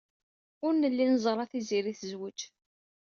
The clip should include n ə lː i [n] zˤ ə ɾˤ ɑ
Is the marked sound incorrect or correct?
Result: correct